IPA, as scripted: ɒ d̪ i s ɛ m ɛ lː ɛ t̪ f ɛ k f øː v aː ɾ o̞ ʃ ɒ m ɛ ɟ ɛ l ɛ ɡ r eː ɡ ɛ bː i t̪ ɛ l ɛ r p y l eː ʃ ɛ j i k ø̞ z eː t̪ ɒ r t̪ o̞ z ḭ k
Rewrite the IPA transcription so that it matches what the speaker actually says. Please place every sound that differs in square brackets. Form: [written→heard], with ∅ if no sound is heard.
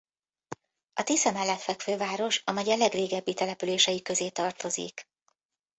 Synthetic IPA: ɒ [d̪→t̪] i s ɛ m ɛ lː ɛ t̪ f ɛ k f øː v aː ɾ o̞ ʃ ɒ m ɛ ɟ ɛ l ɛ ɡ r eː ɡ ɛ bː i t̪ ɛ l ɛ [r→∅] p y l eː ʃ ɛ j i k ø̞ z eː t̪ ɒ r t̪ o̞ z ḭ k